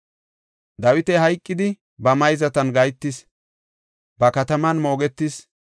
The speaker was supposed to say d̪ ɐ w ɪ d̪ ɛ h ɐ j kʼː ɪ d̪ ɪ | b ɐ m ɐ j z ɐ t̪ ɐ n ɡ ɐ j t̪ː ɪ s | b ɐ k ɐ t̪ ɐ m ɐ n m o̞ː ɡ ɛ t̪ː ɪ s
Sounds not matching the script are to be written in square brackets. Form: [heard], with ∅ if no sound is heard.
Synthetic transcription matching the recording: d̪ ɐ w ɪ [t̪] ɛ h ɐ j kʼː ɪ d̪ ɪ | b ɐ m ɐ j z ɐ t̪ ɐ n ɡ ɐ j t̪ː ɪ s | b ɐ k ɐ t̪ ɐ m ɐ n m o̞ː ɡ ɛ t̪ː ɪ s